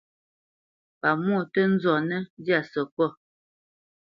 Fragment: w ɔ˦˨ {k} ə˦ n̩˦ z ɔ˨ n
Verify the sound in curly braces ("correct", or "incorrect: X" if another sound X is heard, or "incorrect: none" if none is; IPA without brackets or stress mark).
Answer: incorrect: t